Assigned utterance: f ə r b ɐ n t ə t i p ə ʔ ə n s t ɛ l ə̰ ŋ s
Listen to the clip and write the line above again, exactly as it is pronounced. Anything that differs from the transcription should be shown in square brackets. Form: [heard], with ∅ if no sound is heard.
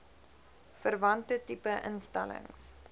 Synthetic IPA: f ə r [v] ɐ n t ə t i p ə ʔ ə n s t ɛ l ə̰ ŋ s